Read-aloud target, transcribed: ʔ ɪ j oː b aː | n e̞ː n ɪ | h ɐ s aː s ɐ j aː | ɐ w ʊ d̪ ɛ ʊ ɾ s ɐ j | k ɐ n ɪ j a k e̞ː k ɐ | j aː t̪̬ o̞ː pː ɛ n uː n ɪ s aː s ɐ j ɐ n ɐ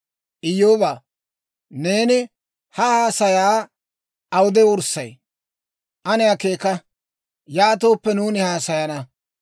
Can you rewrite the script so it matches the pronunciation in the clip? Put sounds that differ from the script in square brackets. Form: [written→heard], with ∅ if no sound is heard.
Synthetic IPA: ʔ ɪ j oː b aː | n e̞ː n ɪ | h ɐ [s→h] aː s ɐ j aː | ɐ w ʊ d̪ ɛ ʊ ɾ s ɐ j | [k→ʔ] ɐ n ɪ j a k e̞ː k ɐ | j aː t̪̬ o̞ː pː ɛ n uː n ɪ [s→h] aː s ɐ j ɐ n ɐ